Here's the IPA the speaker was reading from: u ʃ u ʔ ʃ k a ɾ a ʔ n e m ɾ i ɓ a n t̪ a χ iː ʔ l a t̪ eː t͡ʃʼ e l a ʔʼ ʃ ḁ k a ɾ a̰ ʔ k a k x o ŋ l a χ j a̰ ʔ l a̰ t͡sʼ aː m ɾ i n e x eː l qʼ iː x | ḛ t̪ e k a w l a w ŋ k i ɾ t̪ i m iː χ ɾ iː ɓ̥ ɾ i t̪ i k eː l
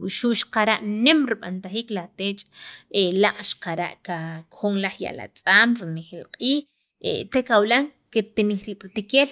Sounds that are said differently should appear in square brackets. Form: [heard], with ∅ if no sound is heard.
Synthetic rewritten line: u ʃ u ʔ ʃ [q] a ɾ a ʔ n e m ɾ i ɓ a n t̪ a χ iː [k] l a t̪ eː t͡ʃʼ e l a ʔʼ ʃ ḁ [q] a ɾ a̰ ʔ k a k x o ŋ l a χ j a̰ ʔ l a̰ t͡sʼ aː m ɾ i n e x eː l qʼ iː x | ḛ t̪ e k a w l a [∅] ŋ k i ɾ t̪ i [n] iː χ ɾ iː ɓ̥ ɾ i t̪ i k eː l